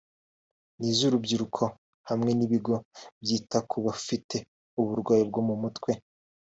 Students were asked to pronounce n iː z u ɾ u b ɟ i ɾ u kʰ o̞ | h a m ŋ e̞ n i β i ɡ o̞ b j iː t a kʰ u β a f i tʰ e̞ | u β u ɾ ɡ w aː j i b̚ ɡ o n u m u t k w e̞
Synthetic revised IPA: n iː z u ɾ u b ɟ i ɾ u kʰ o̞ | h a m ŋ e̞ n i β i ɡ o̞ b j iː t a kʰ u β a f i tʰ e̞ | u β u ɾ ɡ w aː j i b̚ ɡ o m u m u t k w e̞

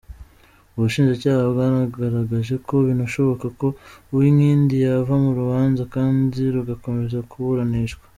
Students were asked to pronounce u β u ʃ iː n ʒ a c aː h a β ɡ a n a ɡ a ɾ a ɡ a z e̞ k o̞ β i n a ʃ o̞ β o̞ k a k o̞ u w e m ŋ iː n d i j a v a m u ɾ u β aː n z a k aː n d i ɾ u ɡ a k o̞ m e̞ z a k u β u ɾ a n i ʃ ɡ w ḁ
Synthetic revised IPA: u β u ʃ iː n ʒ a c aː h a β ɡ a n a ɡ a ɾ a ɡ a ʒ e̞ k o̞ β i n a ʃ o̞ β o̞ k a k o̞ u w i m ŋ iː n d i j a v a m u ɾ u β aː n z a k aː n d i ɾ u ɡ a k o̞ m e̞ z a k u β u ɾ a n i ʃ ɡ w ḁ

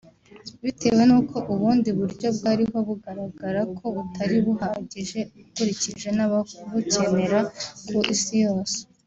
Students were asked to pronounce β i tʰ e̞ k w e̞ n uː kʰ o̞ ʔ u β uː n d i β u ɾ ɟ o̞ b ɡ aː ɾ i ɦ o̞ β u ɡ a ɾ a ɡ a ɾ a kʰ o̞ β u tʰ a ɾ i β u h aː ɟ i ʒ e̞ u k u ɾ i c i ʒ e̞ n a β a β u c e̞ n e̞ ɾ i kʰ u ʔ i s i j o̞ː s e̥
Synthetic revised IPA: β i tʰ e̞ w e̞ n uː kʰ o̞ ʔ u β uː n d i β u ɾ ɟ o̞ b ɡ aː ɾ i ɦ o̞ β u ɡ a ɾ a ɡ a ɾ a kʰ o̞ β u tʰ a ɾ i β u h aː ɟ i ʒ e̞ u k u ɾ i c i ʒ e̞ n a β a β u c e̞ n e̞ ɾ a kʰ u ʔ i s i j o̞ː s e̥

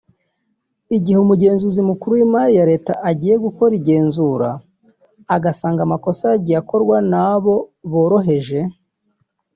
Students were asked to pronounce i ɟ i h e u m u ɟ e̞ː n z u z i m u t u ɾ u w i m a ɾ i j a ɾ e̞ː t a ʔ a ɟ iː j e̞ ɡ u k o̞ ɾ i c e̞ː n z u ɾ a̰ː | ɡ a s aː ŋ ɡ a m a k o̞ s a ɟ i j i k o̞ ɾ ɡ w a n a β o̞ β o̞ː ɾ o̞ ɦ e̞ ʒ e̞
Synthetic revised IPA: i ɟ i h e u m u ɟ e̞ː n z u z i m u k u ɾ u w i m a ɾ i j a ɾ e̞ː t a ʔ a ɟ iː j e̞ ɡ u k o̞ ɾ i ɟ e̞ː n z u ɾ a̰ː | ɡ a s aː ŋ ɡ a m a k o̞ s a ɟ i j a k o̞ ɾ ɡ w a n a β o̞ β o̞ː ɾ o̞ ɦ e̞ ʒ e̞

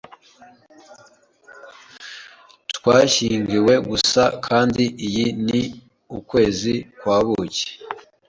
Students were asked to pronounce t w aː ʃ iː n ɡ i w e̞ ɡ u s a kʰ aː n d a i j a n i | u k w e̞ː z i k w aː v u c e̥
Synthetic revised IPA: t w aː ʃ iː ŋ ɡ i w e̞ ɡ u s a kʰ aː n d i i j i n i | u k w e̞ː z i k w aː β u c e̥

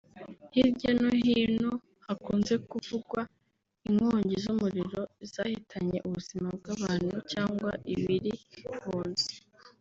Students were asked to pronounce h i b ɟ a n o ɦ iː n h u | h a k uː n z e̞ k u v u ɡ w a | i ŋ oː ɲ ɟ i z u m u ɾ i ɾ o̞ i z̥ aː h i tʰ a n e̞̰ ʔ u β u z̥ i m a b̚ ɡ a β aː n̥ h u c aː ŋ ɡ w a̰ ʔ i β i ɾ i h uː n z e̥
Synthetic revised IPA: h i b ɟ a n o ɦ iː n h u | h a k uː n z e̞ k u v u ɡ w a | i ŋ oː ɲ ɟ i z u m u ɾ i ɾ o̞ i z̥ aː h i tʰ a ɲ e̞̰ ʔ u β u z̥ i m a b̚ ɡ a β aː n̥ h u c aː ŋ ɡ w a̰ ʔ i β i ɾ i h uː n z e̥

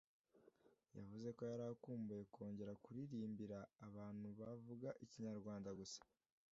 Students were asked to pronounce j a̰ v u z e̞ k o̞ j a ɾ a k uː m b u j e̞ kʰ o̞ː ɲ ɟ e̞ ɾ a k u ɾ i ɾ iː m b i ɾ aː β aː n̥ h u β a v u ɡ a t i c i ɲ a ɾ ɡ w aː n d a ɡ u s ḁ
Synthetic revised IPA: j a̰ v u z e̞ k o̞ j a ɾ a k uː m b u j e̞ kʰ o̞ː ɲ ɟ e̞ ɾ a k u ɾ i ɾ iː m b i ɾ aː β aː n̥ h u β a v u ɡ a ʔ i c i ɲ a ɾ ɡ w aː n d a ɡ u s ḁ

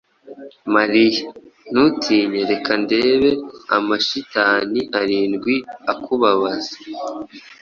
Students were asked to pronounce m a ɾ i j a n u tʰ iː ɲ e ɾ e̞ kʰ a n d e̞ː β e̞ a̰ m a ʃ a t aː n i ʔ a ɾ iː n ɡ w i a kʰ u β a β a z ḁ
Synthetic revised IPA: m a ɾ i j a n u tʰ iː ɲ e ɾ e̞ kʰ a n d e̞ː β e̞ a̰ m a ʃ i t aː n i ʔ a ɾ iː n ɡ w i a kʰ u β a β a z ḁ

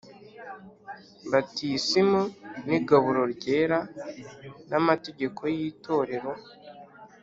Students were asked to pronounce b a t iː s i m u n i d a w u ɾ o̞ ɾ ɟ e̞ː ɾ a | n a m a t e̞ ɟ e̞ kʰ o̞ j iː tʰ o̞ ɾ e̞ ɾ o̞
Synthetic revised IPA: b a t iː s i m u n i ɡ a β u ɾ o̞ ɾ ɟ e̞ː ɾ a | n a m a t e̞ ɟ e̞ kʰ o̞ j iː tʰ o̞ ɾ e̞ ɾ o̞

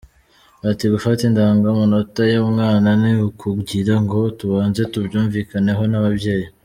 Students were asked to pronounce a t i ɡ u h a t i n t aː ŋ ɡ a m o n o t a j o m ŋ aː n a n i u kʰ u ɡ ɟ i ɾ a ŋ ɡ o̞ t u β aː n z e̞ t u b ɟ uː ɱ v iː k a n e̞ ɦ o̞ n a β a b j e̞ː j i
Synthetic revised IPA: a t i ɡ u f a t i n d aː ŋ ɡ a m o n o t a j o m ŋ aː n a n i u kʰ u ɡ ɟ i ɾ a ŋ ɡ o̞ t u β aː n z e̞ t u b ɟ uː ɱ v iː k a n e̞ ɦ o̞ n a β a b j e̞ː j i

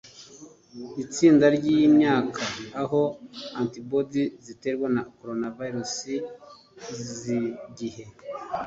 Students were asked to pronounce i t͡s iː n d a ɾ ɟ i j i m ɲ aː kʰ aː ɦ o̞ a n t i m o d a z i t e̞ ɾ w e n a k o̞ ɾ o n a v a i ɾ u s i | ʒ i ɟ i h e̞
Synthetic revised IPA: i t͡s iː n d a ɾ ɟ i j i m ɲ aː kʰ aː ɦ o̞ a n t i b o d i z i t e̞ ɾ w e n a k o̞ ɾ o n a v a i ɾ u s i | z i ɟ i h e̞

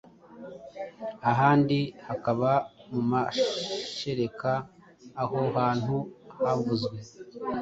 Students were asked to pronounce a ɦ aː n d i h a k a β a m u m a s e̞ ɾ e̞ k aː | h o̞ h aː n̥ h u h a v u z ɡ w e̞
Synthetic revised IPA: a ɦ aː n d i h a k a β a m u m a ʃ e̞ ɾ e̞ k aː | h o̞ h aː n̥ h u h a v u z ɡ w e̞

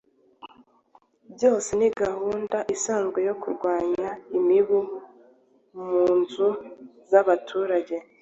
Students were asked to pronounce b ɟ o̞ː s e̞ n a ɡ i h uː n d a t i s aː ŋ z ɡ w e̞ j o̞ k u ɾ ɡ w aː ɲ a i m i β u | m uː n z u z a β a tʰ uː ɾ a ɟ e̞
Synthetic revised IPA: b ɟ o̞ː s e̞ n i ɡ a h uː n d a ʔ i s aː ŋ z ɡ w e̞ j o̞ k u ɾ ɡ w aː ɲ a i m i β u | m uː n z u z a β a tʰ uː ɾ a ɟ e̞

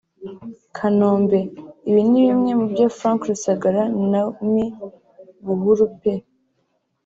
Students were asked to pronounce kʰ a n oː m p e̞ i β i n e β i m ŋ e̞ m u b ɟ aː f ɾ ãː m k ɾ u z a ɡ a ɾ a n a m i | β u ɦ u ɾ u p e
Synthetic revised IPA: kʰ a n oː m b e̞ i β i n i β i m ŋ e̞ m u b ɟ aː f ɾ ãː ŋ k ɾ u s a ɡ a ɾ a n a m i | β u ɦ u ɾ u p e

